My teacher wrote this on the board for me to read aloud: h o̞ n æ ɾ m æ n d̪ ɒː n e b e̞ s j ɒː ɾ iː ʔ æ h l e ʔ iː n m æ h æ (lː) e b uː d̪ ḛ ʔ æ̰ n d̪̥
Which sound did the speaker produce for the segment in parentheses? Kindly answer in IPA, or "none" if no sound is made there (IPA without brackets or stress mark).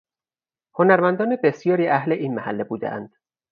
lː